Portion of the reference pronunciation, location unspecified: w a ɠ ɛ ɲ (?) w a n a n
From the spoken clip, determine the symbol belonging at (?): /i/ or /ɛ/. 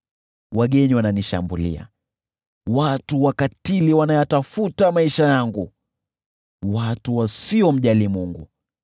i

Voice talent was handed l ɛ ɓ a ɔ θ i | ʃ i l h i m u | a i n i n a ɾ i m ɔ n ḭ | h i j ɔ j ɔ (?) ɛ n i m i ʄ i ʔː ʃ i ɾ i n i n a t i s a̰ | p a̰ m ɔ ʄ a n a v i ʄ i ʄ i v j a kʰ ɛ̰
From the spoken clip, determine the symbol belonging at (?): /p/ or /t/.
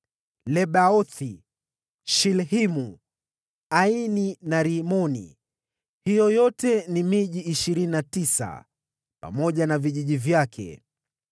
t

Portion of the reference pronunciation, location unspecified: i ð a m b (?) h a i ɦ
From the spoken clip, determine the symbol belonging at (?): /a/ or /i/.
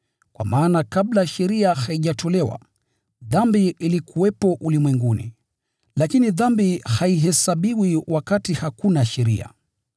i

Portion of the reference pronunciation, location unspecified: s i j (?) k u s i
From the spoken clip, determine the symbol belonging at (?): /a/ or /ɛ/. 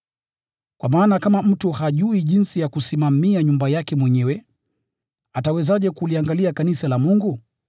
a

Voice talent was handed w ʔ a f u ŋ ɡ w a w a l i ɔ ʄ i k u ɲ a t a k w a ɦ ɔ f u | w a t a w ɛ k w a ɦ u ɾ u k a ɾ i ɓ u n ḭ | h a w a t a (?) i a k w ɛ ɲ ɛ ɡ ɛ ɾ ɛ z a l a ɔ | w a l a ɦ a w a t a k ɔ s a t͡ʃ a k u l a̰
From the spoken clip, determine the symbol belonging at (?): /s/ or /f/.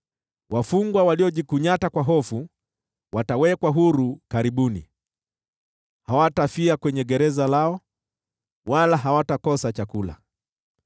f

